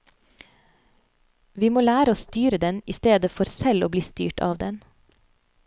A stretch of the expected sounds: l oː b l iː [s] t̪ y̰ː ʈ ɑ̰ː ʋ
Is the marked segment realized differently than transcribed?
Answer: no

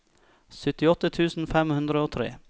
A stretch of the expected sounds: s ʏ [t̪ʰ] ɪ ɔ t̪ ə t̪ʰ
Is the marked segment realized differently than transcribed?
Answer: yes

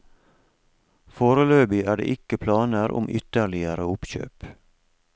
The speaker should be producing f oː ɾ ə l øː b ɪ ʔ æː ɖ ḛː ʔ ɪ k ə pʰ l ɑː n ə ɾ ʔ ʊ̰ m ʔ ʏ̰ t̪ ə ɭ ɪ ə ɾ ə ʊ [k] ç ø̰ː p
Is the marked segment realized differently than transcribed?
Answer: yes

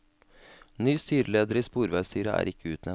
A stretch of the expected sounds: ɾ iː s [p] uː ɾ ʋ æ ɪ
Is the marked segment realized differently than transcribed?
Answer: no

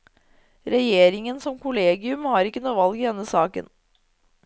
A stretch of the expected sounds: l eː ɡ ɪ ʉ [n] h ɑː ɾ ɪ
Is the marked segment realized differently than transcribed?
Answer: yes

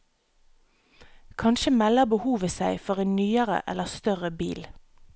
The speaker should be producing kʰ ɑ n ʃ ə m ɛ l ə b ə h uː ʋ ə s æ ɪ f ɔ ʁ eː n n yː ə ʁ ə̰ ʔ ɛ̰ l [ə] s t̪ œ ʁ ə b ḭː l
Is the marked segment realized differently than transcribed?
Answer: no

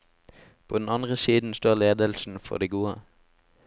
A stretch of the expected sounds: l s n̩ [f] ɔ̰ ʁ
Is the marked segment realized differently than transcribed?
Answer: no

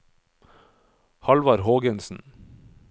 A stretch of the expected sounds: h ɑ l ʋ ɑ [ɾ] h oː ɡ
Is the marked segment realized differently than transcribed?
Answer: no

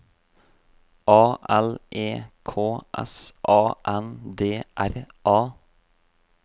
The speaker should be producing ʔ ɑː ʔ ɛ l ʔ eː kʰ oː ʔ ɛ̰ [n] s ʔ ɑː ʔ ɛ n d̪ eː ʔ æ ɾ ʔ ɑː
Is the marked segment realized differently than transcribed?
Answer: yes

